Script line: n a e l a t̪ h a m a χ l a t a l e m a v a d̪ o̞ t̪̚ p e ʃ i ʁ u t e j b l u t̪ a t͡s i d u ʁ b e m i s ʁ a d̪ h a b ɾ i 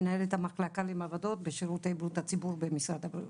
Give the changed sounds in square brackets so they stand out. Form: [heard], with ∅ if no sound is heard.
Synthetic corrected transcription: n a e l [e] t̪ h a m a χ l a [k] a l e m a v a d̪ o̞ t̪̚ [b] e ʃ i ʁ u t e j b l u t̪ a t͡s i [b] u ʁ b e m i s ʁ a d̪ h a b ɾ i